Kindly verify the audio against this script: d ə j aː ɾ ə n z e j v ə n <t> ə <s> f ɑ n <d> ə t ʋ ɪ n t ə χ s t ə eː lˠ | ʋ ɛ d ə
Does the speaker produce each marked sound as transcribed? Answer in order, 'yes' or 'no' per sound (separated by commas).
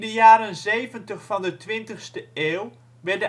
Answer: yes, no, yes